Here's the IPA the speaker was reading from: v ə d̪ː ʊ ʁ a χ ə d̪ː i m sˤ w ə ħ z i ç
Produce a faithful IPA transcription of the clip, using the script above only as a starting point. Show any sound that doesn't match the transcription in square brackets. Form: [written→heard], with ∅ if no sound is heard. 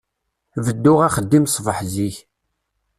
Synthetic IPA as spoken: v ə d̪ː ʊ ʁ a χ ə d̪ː i m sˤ [w→v] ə ħ z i ç